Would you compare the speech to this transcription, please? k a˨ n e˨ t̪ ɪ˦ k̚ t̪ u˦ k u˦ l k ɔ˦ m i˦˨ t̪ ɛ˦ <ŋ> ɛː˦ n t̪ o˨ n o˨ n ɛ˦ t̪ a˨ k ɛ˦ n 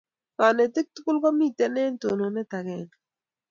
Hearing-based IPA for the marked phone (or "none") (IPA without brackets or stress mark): n